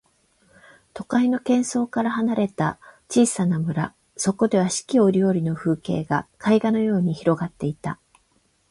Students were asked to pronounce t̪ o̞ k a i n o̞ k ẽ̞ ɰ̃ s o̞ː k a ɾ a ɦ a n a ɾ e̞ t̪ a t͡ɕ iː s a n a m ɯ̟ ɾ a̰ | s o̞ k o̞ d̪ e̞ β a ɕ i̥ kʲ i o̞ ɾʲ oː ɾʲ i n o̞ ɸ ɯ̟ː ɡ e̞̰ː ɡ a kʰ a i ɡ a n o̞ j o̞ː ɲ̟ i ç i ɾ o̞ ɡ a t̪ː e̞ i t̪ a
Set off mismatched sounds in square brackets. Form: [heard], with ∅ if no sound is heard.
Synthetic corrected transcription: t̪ o̞ k a i n o̞ k ẽ̞ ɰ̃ s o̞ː k a ɾ a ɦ a n a ɾ e̞ t̪ a t͡ɕ iː s a n a m ɯ̟ ɾ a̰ | s o̞ k o̞ d̪ e̞ β a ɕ i̥ kʲ i o̞ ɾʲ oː ɾʲ i n o̞ ɸ ɯ̟ː [k] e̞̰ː ɡ a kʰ a i ɡ a n o̞ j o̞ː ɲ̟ i ç i ɾ o̞ ɡ a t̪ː e̞ i t̪ a